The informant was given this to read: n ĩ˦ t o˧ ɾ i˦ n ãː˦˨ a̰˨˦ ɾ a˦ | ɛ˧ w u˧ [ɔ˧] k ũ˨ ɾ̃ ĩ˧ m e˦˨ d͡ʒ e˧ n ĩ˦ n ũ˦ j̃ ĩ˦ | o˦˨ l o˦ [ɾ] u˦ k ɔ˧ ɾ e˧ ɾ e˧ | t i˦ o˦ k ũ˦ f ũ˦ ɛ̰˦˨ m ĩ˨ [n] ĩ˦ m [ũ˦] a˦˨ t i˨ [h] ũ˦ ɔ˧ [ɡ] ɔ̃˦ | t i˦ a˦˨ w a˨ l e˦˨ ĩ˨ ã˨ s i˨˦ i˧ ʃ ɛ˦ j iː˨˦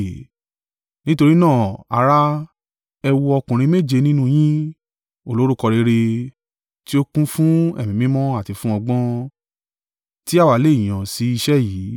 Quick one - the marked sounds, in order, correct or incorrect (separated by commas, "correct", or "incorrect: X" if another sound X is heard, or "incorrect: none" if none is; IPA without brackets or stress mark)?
correct, correct, incorrect: m, incorrect: ɔ̃˦, incorrect: f, incorrect: ɡ͡b